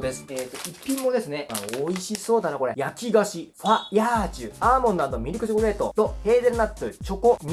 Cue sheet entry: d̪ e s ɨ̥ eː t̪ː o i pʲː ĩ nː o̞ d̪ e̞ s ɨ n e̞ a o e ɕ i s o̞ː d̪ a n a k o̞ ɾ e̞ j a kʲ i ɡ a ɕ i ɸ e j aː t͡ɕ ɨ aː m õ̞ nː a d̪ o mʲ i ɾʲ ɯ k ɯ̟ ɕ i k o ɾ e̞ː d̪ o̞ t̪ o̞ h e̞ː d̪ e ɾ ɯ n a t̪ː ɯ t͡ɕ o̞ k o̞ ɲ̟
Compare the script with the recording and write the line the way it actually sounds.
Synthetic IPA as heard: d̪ e s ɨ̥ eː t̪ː o i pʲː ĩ mː o̞ d̪ e̞ s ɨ n e̞ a o i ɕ i s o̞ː d̪ a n a k o̞ ɾ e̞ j a kʲ i ɡ a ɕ i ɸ a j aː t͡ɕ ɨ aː m õ̞ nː a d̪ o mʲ i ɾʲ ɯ k ɯ̟ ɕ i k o ɾ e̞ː t̪ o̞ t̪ o̞ h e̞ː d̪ e ɾ ɯ n a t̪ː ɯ t͡ɕ o̞ k o̞ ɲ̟